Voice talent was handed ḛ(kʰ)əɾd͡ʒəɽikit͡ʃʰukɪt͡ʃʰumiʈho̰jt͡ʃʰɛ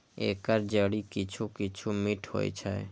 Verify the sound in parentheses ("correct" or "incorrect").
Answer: incorrect